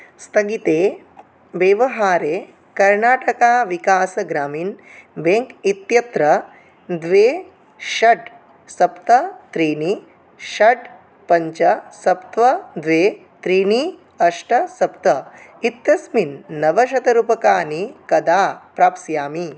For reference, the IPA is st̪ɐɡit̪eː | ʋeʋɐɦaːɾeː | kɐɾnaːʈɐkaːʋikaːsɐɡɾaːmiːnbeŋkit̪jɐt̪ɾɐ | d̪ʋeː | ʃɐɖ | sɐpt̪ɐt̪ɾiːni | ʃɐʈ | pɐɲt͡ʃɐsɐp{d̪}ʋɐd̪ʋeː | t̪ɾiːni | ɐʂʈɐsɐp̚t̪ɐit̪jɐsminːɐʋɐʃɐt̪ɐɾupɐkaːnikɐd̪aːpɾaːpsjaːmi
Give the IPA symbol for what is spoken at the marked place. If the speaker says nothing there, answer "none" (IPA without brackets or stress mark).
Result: t̪